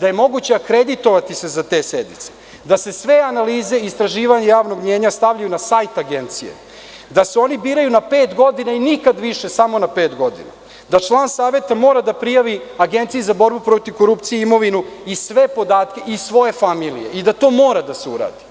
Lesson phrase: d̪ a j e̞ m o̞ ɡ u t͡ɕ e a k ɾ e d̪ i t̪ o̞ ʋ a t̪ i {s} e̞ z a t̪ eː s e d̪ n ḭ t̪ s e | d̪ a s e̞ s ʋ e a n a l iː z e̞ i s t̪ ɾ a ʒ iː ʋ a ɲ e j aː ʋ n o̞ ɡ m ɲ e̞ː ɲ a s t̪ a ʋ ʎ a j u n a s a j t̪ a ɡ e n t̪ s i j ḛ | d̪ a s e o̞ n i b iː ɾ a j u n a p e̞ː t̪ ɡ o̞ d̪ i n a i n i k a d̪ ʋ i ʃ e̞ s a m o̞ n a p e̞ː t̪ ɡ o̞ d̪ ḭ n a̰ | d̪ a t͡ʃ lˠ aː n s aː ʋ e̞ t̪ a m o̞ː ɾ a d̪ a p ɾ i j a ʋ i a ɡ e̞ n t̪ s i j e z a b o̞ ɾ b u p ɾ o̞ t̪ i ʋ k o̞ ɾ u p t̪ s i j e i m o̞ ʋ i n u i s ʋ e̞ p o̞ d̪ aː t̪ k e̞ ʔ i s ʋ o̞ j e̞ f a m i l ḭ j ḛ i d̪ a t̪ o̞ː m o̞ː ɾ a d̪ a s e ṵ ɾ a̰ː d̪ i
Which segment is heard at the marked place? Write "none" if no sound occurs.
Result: s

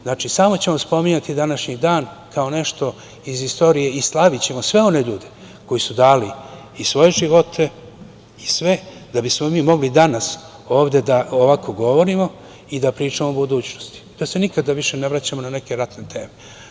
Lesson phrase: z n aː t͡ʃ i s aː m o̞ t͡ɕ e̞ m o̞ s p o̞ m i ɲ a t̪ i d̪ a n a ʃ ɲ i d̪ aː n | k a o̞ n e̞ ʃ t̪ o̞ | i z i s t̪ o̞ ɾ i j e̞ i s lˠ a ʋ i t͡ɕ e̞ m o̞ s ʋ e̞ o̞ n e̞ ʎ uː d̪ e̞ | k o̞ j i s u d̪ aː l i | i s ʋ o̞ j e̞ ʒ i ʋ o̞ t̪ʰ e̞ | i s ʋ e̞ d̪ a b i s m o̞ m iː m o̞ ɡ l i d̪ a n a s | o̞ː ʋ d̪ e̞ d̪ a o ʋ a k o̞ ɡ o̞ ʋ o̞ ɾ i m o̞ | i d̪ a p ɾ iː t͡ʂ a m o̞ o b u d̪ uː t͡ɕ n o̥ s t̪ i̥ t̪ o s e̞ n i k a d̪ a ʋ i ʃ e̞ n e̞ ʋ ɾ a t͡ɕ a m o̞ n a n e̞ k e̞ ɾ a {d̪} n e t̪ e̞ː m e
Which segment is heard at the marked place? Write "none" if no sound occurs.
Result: t̪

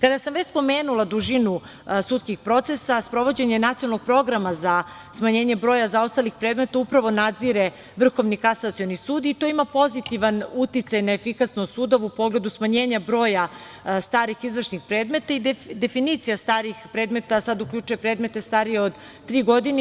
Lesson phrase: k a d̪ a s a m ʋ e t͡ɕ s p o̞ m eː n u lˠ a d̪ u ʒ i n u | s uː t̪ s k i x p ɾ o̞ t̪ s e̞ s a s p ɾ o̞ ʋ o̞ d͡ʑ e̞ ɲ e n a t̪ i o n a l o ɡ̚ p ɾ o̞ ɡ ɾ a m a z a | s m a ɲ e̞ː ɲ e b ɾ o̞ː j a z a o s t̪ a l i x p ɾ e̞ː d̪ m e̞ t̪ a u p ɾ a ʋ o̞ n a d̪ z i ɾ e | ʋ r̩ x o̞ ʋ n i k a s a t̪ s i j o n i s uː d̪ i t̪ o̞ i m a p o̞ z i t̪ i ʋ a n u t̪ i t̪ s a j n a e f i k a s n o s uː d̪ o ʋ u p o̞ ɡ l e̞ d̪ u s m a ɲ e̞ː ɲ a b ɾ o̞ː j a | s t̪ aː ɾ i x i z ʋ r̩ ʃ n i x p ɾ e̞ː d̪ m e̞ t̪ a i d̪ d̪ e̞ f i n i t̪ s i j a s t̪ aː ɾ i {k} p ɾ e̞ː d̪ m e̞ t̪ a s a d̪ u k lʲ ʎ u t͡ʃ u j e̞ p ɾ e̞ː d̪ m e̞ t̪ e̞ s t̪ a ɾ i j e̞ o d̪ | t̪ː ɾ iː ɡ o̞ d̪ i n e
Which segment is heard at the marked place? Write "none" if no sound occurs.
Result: x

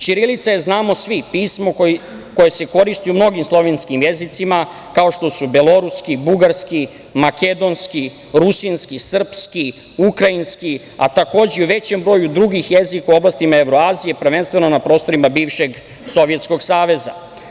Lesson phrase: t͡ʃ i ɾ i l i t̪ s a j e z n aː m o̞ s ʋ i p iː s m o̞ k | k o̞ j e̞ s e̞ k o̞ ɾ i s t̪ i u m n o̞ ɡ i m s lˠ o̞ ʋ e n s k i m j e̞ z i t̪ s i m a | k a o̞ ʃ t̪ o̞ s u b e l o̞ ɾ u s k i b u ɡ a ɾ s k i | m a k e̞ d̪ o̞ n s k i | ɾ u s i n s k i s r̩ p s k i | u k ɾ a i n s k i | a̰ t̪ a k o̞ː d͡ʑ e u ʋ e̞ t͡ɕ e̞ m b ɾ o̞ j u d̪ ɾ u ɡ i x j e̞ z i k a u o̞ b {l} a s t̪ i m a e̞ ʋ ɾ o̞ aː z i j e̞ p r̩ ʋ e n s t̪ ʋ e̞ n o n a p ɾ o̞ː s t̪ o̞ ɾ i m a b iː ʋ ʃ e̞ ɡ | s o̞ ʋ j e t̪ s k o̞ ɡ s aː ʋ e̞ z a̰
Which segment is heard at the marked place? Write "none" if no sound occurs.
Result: l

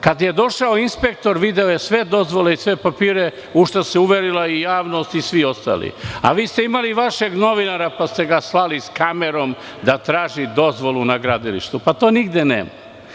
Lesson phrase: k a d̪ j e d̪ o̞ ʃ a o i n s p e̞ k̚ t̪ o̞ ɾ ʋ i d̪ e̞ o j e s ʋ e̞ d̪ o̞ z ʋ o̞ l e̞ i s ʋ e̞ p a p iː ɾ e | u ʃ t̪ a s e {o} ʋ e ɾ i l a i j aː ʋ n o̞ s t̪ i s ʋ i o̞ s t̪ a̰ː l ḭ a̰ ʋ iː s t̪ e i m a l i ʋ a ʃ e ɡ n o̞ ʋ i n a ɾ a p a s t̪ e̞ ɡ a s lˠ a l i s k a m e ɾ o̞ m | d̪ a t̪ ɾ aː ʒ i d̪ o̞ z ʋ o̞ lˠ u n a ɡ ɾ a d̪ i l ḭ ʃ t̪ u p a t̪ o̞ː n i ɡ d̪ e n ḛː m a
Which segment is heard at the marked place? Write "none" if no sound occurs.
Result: u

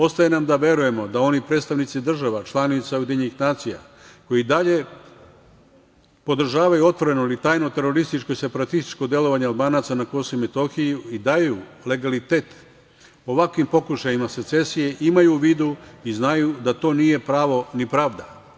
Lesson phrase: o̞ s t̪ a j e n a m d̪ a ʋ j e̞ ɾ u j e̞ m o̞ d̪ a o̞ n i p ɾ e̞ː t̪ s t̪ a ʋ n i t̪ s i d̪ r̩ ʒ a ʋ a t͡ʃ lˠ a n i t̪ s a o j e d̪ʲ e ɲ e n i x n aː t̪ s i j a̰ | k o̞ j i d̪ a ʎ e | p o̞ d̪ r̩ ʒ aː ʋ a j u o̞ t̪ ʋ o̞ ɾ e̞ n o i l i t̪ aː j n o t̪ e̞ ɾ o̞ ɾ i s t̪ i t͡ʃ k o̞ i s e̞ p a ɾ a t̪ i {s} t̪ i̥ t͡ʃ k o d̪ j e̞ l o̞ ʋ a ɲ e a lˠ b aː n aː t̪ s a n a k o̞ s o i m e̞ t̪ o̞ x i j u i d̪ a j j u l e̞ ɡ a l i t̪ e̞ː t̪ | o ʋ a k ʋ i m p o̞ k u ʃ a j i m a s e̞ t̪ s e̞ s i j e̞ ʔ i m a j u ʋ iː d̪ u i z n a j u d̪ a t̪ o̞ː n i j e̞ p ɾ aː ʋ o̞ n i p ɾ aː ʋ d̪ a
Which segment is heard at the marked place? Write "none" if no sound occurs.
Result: s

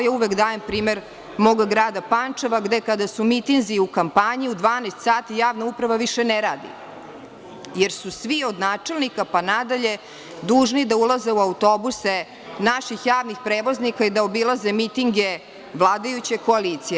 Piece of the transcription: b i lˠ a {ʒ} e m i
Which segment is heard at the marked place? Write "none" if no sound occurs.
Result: z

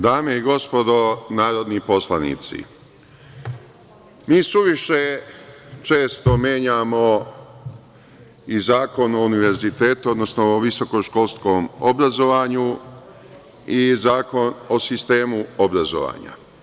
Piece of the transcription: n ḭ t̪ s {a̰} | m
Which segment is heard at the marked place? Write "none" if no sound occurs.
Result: ḭ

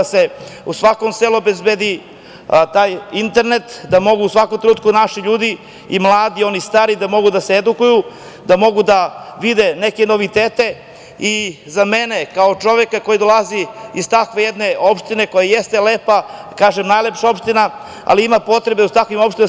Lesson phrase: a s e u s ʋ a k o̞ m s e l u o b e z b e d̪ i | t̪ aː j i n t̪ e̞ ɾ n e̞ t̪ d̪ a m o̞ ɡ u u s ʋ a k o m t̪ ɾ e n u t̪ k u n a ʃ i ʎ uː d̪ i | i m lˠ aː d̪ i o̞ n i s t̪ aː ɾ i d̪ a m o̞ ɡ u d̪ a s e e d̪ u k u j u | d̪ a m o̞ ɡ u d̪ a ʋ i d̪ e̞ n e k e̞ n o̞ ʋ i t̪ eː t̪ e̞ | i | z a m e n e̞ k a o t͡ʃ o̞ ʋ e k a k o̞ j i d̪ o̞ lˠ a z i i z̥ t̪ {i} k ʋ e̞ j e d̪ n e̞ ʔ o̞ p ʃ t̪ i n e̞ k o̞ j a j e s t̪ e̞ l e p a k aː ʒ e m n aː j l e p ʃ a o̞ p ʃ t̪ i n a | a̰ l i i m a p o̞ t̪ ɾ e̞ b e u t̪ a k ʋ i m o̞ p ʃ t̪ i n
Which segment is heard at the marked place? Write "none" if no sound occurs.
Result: a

